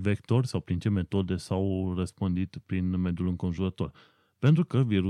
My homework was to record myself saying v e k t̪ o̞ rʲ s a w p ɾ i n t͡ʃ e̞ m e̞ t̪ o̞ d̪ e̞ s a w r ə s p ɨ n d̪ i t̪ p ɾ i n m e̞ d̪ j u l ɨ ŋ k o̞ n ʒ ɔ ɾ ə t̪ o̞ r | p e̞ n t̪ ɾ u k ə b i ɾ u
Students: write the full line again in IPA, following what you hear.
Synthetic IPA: v e k t̪ o̞ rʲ s a w p ɾ i n t͡ʃ e̞ m e̞ t̪ o̞ d̪ e̞ s a w r ə s p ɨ n d̪ i t̪ p ɾ i n m e̞ d̪ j u l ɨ ŋ k o̞ n ʒ u ɾ ə t̪ o̞ r | p e̞ n t̪ ɾ u k ə v i ɾ u